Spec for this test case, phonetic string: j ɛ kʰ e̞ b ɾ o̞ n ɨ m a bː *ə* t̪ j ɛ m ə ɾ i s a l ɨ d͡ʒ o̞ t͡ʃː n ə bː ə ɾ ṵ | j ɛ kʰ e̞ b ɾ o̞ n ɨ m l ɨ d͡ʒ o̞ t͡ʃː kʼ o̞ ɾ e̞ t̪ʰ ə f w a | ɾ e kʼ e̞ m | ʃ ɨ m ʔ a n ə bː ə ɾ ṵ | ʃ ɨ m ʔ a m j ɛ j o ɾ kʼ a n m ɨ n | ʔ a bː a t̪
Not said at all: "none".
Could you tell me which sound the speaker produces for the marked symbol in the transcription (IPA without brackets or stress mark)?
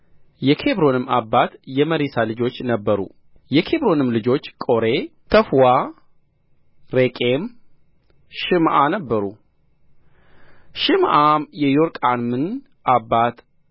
a